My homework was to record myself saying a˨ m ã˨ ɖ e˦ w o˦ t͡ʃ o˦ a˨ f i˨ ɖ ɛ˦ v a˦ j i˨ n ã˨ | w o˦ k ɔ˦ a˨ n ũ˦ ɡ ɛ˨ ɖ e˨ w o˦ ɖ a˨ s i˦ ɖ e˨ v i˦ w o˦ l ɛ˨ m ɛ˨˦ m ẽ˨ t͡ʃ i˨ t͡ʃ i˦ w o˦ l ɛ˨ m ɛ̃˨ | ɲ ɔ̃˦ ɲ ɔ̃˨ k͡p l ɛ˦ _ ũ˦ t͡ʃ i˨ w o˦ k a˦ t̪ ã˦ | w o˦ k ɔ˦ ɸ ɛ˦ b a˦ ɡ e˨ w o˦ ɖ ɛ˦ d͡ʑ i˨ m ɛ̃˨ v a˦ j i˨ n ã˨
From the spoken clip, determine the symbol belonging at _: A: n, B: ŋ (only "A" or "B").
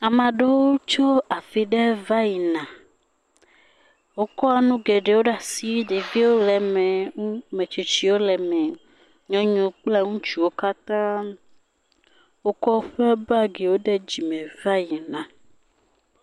B